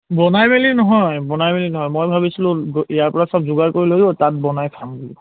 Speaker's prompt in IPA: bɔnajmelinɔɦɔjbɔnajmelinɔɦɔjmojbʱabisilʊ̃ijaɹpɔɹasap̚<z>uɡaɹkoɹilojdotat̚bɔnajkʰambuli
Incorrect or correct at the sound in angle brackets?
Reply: correct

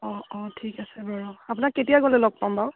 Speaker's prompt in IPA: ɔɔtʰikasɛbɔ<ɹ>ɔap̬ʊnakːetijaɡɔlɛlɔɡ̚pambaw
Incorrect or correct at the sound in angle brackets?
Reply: correct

